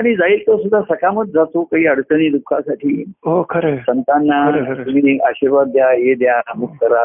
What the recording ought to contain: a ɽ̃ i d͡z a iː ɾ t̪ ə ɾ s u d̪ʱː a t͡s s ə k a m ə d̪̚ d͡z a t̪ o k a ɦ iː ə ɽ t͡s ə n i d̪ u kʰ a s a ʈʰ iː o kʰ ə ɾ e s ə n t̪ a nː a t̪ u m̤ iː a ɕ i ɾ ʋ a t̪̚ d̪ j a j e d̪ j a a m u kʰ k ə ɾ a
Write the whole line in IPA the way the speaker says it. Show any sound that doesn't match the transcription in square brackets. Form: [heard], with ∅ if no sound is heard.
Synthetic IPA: a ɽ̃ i d͡z a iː [l] t̪ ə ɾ s u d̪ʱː a [∅] s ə k a m ə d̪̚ d͡z a t̪ o k a ɦ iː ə ɽ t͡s ə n i d̪ u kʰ a s a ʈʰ iː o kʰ ə ɾ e s ə n t̪ a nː a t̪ u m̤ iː a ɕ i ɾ ʋ a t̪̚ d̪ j a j e d̪ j a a m u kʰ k ə ɾ a